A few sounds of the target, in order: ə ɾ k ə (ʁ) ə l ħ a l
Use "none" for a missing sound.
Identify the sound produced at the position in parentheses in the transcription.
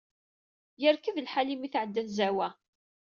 ð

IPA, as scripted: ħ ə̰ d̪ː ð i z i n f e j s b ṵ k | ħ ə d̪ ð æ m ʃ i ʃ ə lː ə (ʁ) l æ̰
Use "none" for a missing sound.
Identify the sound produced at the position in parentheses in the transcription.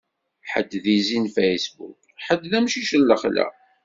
χ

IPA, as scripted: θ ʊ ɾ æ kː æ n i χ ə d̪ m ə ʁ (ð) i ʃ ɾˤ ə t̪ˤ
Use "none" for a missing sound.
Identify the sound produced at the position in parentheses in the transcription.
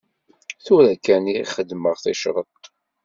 θ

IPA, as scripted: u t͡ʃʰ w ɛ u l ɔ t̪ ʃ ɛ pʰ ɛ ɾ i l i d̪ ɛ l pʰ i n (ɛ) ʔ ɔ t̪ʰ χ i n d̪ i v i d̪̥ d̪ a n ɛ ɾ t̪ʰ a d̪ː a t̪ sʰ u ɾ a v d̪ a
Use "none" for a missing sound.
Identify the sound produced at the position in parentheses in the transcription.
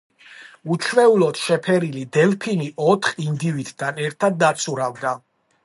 i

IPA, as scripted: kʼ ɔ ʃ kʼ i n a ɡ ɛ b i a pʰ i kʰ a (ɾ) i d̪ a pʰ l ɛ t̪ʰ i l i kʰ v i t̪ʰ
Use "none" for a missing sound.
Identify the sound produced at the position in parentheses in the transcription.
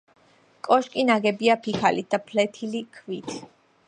l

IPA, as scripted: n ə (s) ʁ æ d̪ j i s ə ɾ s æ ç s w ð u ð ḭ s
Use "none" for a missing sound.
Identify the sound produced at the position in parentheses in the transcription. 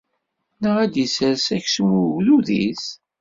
none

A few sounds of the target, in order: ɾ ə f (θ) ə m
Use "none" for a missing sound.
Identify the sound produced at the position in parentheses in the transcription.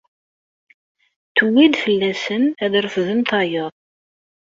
ð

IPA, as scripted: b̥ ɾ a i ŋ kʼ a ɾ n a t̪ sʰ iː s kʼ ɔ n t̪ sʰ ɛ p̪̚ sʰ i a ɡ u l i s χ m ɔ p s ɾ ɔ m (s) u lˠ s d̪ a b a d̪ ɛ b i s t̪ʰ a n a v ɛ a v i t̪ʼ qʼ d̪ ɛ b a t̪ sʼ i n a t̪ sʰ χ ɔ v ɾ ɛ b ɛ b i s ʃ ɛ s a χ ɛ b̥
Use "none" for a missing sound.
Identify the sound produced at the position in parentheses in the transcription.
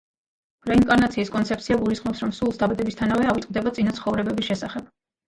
s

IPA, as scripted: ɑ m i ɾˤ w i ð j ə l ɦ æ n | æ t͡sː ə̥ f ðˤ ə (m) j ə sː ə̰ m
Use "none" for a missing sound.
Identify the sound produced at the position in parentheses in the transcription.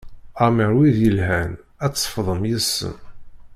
m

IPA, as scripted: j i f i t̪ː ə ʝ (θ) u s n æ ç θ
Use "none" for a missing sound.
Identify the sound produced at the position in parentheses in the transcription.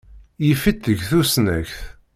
θ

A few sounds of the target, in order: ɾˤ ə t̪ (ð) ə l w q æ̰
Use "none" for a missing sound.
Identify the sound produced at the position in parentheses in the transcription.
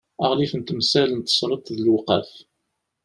ð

